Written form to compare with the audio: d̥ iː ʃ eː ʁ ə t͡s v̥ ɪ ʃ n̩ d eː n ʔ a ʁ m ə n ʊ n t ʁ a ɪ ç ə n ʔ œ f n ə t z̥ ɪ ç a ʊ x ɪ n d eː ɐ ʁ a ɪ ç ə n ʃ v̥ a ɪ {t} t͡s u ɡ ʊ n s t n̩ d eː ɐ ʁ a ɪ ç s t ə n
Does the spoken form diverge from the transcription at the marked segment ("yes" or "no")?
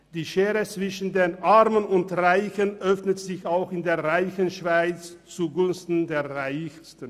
yes